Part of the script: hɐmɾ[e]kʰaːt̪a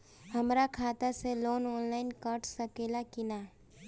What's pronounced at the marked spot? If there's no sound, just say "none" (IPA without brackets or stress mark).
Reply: a